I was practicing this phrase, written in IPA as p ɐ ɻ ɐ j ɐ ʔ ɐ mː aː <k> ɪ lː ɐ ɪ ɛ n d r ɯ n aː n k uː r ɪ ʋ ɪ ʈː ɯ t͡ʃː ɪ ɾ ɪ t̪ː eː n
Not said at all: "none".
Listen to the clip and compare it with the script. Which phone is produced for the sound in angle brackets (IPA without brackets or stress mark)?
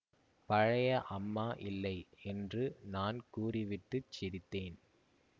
ʔ